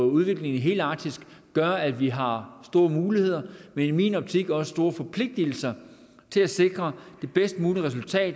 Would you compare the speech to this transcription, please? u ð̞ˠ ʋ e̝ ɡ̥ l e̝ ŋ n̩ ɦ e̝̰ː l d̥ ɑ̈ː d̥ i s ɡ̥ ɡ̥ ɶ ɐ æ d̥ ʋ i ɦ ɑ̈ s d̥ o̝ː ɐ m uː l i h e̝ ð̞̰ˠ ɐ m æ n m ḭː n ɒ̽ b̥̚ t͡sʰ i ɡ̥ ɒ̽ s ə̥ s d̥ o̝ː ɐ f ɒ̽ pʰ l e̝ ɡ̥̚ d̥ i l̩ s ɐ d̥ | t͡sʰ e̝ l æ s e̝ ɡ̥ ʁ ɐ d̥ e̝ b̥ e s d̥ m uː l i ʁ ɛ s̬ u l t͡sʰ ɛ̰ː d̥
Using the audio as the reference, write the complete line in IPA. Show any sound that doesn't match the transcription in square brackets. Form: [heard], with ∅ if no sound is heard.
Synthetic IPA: u ð̞ˠ ʋ e̝ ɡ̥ l e̝ ŋ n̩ ɦ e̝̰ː l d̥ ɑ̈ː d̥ i s ɡ̥ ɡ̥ ɶ ɐ æ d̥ ʋ i ɦ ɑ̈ s d̥ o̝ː ɐ m uː l i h e̝ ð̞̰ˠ ɐ m [e] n m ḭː n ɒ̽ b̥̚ t͡sʰ i ɡ̥ ɒ̽ s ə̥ s d̥ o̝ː ɐ f ɒ̽ pʰ l e̝ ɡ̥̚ d̥ i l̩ s ɐ [∅] | t͡sʰ e̝ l æ s e̝ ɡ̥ ʁ ɐ d̥ e̝ b̥ e s d̥ m uː l i ʁ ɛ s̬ u l t͡sʰ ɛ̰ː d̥